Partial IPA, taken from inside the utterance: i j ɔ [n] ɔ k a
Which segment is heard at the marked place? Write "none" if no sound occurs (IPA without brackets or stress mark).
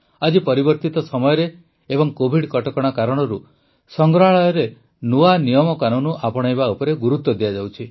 m